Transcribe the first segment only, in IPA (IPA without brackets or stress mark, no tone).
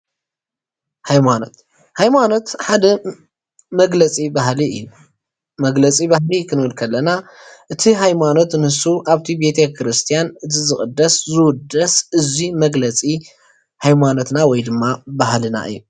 h